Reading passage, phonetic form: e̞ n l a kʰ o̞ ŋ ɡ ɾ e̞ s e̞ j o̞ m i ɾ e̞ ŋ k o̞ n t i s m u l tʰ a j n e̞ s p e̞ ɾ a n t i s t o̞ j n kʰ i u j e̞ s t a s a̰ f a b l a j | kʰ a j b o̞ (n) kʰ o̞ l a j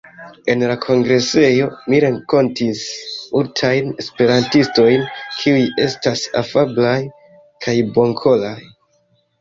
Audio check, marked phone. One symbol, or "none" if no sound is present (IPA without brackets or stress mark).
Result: ŋ